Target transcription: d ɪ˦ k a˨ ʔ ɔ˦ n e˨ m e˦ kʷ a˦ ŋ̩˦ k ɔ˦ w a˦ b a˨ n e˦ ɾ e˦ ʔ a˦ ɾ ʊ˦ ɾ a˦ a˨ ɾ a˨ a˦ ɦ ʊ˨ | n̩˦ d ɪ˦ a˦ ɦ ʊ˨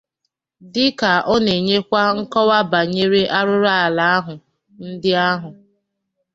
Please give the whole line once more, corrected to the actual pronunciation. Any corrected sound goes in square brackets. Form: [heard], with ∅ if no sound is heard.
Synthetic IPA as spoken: d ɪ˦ k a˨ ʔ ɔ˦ n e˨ [ɲ] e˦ kʷ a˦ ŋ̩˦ k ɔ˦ w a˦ b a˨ [ɲ] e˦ ɾ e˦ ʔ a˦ ɾ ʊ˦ ɾ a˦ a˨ [l] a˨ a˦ ɦ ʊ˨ | n̩˦ d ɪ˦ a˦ ɦ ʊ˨